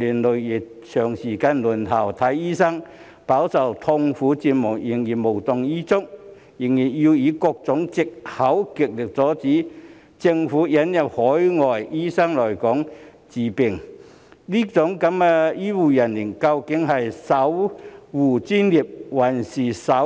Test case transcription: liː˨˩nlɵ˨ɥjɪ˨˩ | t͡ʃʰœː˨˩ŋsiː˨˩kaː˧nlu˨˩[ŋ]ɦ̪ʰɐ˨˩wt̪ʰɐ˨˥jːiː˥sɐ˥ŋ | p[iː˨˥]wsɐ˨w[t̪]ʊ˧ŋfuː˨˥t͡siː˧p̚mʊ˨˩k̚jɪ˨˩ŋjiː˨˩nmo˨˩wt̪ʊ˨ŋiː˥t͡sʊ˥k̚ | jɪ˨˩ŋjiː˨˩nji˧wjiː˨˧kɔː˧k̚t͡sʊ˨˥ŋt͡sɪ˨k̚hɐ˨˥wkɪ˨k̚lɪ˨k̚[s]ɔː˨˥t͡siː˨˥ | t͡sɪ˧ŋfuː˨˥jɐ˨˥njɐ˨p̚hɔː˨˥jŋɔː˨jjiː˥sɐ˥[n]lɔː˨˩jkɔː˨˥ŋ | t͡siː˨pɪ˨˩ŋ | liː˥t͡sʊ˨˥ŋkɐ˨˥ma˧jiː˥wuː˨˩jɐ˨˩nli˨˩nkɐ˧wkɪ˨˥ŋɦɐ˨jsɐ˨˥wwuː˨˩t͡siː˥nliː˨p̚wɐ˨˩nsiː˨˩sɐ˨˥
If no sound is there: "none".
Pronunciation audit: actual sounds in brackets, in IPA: n, aː˨˥, t̪ʰ, t͡s, ŋ

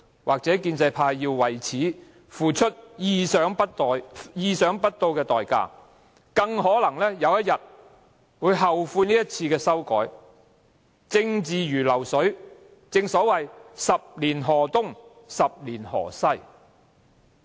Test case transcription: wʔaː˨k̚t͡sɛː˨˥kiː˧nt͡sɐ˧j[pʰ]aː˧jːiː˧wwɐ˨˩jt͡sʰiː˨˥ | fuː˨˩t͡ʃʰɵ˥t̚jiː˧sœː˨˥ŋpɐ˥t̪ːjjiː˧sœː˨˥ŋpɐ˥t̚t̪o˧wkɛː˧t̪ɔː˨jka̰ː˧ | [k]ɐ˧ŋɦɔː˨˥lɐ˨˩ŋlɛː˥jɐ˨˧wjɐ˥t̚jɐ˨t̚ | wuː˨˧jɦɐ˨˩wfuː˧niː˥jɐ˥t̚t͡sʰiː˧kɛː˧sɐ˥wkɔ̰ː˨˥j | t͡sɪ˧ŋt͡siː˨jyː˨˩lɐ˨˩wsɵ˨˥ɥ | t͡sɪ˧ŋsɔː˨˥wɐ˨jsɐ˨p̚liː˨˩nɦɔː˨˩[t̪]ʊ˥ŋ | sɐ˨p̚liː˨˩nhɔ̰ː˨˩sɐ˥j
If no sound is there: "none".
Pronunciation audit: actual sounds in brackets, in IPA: pʰ, k, t̪

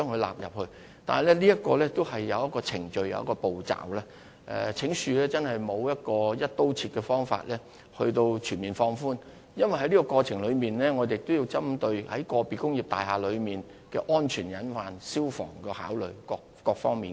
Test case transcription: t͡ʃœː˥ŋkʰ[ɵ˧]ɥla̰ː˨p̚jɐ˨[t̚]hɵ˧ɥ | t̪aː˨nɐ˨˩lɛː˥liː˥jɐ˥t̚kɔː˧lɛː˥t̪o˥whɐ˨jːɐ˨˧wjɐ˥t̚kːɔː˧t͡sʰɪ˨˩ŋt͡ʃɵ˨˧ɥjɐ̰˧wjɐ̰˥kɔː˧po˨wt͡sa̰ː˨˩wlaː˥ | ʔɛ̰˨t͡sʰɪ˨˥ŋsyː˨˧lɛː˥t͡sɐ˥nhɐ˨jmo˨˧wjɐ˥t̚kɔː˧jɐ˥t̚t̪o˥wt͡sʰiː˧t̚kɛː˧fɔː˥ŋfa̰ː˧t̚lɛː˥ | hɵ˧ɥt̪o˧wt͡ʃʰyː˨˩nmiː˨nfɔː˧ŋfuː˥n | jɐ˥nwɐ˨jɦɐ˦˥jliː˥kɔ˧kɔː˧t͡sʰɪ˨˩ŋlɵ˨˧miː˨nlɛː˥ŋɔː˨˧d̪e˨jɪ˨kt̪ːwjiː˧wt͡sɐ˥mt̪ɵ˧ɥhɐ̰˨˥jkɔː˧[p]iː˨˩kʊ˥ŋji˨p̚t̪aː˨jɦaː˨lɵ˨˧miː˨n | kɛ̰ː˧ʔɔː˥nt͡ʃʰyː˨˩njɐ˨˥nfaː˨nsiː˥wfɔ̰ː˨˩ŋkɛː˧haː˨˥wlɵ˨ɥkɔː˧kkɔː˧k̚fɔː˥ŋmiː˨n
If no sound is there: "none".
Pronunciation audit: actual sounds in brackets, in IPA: ɵ˧, p̚, p

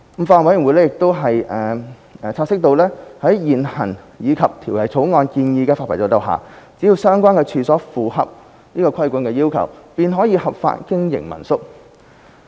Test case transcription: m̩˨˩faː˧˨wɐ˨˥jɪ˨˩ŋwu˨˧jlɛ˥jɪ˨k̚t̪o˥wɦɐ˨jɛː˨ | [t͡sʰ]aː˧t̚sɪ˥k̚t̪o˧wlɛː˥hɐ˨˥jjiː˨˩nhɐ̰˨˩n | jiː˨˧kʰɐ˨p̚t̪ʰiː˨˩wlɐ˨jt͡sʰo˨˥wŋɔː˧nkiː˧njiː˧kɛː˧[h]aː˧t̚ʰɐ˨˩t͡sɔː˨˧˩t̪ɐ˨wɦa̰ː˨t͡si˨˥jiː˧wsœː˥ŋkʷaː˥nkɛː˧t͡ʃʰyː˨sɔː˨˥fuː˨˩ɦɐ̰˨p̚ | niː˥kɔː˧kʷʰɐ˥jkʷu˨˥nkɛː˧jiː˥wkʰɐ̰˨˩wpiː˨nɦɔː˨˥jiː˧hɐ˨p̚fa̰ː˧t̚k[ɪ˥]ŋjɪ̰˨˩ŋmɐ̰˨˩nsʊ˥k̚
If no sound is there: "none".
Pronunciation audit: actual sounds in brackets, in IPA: t͡sʰ, f, ɪ˥

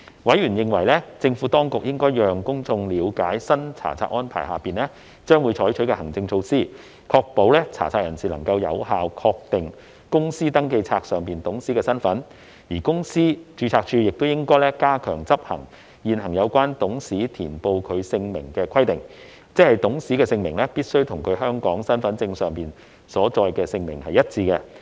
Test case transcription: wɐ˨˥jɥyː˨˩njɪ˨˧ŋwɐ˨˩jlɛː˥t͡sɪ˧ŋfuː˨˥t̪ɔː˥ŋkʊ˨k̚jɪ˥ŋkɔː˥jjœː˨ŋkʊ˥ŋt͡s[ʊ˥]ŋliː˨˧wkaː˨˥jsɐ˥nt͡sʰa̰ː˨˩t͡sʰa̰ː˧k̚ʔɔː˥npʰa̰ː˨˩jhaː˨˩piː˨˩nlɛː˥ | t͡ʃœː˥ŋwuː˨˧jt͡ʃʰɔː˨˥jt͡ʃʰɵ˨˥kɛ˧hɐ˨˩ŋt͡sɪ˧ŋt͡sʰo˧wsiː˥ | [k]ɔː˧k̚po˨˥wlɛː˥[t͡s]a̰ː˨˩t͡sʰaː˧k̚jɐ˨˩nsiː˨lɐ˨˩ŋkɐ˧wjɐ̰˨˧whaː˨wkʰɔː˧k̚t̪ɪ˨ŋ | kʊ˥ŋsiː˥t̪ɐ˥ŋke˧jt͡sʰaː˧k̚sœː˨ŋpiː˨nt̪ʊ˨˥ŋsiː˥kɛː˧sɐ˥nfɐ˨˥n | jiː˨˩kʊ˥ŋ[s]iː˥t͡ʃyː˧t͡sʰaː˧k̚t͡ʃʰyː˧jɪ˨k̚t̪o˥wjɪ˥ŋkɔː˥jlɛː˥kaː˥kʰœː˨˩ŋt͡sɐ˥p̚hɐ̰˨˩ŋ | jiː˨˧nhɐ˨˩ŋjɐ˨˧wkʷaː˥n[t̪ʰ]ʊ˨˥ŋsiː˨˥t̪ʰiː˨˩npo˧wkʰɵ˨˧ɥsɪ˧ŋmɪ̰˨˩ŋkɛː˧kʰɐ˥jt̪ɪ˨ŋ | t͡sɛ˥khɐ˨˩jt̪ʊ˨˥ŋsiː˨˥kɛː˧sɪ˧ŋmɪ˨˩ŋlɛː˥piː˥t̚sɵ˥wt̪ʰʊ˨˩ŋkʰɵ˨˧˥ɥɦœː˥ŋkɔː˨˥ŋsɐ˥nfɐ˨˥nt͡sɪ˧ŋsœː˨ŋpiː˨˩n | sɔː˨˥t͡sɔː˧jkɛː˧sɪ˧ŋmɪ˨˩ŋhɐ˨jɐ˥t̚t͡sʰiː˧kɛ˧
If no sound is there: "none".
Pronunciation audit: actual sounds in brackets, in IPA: ʊ˧, kʰ, t͡sʰ, s, t̪

